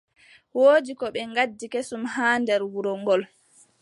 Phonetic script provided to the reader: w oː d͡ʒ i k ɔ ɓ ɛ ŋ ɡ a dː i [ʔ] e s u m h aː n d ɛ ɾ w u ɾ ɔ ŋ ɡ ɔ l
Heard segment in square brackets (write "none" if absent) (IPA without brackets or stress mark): k